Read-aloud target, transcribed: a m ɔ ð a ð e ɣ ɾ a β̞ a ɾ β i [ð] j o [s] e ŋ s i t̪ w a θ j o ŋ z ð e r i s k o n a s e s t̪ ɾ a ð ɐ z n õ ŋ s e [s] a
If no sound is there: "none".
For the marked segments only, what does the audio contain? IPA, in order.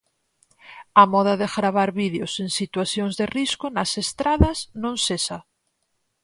ð, s, s

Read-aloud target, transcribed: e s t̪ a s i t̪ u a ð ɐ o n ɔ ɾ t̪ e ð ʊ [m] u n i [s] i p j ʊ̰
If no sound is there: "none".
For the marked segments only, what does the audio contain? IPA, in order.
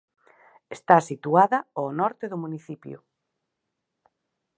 m, θ

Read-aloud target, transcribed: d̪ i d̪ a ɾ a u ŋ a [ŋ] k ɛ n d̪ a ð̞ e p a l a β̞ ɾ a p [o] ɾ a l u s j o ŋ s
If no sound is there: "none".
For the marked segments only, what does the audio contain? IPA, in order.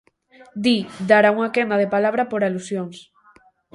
none, o

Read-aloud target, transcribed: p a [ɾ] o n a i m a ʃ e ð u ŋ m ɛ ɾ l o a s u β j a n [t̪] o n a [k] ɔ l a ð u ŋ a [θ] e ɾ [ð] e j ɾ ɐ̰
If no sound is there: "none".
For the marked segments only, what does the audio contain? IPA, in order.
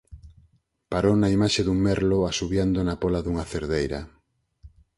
ɾ, d̪, p, θ, ð

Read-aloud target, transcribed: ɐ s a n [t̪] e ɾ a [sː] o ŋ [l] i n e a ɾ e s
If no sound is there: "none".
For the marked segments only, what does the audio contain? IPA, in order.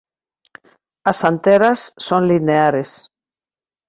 t̪, sː, l

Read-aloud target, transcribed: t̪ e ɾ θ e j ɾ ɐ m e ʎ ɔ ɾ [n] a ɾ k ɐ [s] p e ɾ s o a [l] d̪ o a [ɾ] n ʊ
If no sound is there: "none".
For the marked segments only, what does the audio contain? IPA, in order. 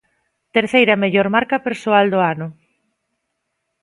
m, none, l, none

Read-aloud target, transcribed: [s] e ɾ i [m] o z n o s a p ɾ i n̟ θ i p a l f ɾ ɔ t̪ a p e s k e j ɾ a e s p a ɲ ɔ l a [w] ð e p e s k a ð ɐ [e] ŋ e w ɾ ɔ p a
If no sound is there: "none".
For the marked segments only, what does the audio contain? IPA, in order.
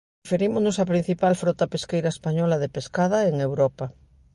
f, m, none, e

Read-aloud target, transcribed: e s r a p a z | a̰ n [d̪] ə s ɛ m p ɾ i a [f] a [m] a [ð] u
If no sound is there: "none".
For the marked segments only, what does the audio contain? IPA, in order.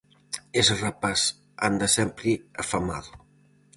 d̪, f, m, ð

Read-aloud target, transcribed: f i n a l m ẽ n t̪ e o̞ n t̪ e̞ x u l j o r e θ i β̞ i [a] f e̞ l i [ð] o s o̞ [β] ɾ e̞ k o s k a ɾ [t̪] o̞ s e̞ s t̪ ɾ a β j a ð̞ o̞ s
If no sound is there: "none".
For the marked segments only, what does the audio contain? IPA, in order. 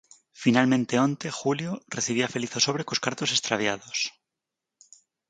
a, θ, β, t̪

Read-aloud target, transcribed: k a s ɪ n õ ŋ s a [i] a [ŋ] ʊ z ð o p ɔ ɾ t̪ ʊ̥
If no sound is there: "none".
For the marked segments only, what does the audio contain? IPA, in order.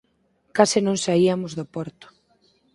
i, m

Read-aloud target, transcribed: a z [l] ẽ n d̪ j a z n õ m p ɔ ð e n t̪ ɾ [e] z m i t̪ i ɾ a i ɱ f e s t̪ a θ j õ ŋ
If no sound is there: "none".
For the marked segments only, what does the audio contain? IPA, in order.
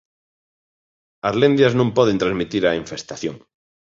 l, a

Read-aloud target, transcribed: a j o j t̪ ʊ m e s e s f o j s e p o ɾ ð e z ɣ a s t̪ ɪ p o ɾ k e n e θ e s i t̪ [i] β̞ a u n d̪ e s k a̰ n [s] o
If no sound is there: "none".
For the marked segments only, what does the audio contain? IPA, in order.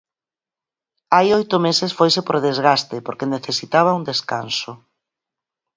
a, s

